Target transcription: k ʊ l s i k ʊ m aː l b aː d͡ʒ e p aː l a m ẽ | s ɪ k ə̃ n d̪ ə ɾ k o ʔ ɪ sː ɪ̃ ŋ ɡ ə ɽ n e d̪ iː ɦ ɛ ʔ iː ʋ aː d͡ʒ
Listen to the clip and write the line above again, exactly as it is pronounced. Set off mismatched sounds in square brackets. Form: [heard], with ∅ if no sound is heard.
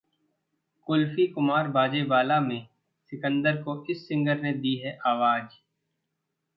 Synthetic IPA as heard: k ʊ l [f] i k ʊ m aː [ɾ] b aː d͡ʒ e [b] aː l a m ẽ | s ɪ k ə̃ n d̪ ə ɾ k o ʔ ɪ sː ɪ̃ ŋ ɡ ə [ɾ] n e d̪ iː ɦ ɛ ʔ [aː] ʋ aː d͡ʒ